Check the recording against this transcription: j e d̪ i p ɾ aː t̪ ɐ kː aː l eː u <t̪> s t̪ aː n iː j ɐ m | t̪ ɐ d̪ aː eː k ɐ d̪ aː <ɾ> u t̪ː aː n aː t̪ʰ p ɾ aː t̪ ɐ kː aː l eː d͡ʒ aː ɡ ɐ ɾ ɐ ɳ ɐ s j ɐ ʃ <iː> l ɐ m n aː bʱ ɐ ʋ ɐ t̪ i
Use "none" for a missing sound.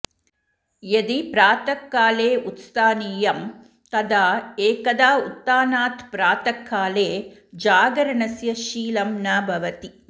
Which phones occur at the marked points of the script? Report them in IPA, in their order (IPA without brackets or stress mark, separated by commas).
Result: t̪, none, iː